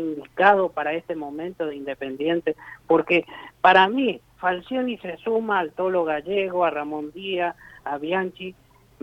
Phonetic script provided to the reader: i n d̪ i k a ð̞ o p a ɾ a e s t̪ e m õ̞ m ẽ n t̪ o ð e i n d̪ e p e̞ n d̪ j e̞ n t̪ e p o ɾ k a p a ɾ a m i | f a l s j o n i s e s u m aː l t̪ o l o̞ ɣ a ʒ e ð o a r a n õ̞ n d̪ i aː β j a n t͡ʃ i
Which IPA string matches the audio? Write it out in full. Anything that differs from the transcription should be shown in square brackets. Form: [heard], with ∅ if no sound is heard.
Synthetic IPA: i n d̪ i k a ð̞ o p a ɾ a e s t̪ e m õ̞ m ẽ n t̪ o ð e i n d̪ e p e̞ n d̪ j e̞ n t̪ e p o ɾ k [e] p a ɾ a m i | f a l s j o n i s e s u m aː l t̪ o l o̞ ɣ a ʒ e [ɣ] o a r a [m] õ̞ n d̪ i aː β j a n t͡ʃ i